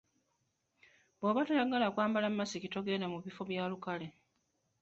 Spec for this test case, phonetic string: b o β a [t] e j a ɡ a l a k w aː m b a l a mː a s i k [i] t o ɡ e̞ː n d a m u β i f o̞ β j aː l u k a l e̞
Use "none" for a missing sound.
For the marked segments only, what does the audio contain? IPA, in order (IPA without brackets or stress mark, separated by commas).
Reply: t, i